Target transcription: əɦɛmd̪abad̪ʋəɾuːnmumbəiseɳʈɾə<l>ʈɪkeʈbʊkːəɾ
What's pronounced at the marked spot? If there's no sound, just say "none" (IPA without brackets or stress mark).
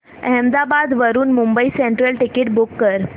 l